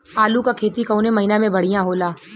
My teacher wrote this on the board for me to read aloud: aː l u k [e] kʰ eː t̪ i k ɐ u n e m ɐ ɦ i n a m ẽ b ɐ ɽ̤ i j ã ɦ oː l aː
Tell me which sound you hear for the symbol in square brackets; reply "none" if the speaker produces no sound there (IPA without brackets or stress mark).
a